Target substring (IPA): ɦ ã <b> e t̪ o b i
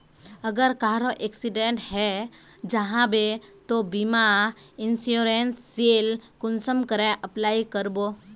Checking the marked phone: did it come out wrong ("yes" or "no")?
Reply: no